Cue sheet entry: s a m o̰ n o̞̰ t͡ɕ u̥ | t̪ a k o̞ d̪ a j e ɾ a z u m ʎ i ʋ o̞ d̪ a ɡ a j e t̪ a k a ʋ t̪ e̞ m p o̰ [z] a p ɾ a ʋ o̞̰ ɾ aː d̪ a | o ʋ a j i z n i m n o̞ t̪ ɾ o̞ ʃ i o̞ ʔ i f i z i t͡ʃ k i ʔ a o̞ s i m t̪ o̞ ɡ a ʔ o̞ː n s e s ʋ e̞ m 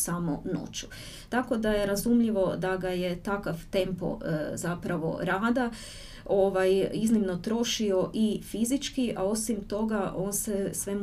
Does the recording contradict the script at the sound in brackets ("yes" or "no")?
no